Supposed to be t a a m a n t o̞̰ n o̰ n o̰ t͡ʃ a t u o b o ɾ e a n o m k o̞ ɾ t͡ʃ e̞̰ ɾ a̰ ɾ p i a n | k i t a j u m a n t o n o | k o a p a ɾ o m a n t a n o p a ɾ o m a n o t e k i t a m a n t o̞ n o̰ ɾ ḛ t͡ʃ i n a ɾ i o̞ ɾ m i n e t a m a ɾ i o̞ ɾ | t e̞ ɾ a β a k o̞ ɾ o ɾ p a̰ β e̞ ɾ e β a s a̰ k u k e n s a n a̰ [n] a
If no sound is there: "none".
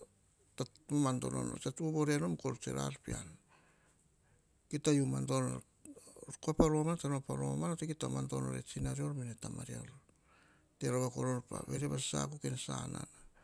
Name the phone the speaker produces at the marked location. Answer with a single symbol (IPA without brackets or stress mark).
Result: n